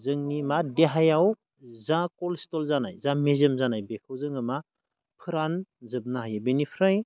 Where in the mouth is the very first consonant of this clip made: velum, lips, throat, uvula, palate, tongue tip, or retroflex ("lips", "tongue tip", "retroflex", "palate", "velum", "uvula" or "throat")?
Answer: tongue tip